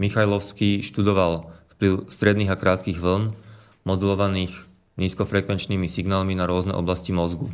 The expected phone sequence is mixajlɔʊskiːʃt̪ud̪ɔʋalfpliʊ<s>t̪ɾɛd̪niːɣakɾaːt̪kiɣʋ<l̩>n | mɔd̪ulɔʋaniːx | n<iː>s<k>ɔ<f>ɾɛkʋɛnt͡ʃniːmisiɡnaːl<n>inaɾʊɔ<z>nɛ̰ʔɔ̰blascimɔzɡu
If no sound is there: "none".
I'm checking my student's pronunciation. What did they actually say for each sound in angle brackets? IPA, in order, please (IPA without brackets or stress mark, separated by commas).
s, l̩, iː, k, f, m, z